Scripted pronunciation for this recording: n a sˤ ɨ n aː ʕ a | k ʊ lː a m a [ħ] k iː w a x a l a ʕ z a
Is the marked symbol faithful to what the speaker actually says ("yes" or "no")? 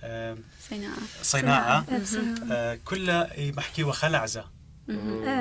yes